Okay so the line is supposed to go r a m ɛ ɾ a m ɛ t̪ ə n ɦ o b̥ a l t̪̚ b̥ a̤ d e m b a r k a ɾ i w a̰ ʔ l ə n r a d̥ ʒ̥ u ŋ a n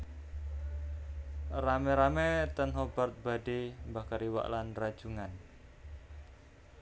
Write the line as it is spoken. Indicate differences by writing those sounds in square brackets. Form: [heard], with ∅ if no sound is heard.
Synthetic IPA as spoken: r a m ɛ ɾ a m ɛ t̪ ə n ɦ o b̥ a [r] t̪̚ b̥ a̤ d e m b a [∅] k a ɾ i w a̰ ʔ l [a] n r a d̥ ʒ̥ u ŋ a n